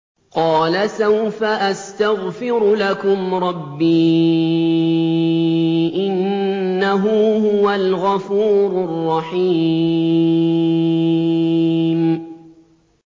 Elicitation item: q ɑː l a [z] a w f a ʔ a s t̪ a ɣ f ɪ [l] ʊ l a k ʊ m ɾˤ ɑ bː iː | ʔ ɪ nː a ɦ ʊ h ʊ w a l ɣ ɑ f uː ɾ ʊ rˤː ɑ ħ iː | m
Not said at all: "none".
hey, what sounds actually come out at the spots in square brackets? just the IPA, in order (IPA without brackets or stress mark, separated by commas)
s, ɾ